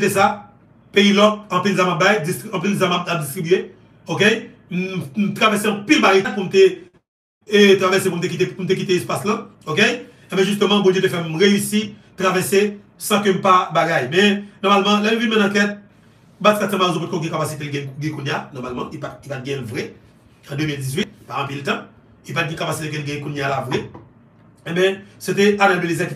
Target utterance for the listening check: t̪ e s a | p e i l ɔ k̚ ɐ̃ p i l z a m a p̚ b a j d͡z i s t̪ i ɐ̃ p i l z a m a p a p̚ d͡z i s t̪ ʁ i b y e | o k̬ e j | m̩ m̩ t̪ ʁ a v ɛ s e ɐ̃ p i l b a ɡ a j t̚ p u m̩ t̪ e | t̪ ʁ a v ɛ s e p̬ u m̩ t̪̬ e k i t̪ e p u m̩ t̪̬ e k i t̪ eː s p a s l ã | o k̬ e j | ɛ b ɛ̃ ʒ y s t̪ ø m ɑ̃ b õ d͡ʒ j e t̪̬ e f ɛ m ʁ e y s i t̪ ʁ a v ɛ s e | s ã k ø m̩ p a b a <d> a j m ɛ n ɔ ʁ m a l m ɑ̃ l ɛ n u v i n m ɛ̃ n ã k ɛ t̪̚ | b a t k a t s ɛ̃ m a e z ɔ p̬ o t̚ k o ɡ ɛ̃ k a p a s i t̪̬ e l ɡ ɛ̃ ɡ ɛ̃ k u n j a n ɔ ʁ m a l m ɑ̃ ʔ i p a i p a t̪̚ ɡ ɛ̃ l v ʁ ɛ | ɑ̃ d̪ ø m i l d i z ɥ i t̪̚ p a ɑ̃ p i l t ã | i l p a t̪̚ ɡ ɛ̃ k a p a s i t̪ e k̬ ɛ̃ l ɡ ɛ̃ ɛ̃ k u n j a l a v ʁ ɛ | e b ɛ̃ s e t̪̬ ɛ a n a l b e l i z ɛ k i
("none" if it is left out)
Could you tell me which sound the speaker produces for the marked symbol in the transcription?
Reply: ɡ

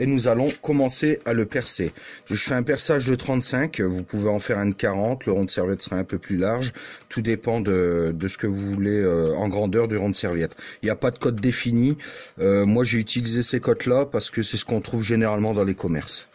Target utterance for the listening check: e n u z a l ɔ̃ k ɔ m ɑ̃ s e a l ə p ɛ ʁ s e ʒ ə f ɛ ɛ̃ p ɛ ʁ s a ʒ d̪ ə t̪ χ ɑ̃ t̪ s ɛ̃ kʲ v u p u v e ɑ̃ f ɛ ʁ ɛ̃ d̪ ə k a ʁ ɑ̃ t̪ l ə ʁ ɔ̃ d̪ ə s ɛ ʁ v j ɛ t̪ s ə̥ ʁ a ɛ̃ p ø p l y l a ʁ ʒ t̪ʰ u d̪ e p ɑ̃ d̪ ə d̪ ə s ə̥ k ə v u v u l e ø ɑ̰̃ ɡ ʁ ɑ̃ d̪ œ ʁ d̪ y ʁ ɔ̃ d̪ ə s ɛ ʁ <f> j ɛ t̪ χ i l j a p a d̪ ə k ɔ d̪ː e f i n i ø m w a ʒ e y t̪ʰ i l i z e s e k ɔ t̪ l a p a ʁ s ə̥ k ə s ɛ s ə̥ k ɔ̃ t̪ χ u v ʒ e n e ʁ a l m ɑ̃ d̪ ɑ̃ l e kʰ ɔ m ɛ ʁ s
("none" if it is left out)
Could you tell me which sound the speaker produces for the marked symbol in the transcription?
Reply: v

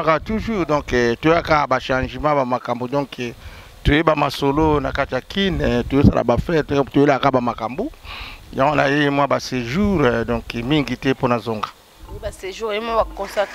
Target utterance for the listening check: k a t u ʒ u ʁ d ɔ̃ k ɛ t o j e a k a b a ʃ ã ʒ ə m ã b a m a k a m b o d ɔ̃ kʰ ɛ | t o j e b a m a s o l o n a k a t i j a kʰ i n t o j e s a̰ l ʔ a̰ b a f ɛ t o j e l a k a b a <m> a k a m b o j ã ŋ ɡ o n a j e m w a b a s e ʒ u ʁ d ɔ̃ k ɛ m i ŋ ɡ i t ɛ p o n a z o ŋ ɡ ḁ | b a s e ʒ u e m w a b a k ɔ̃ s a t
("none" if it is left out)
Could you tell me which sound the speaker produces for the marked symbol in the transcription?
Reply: m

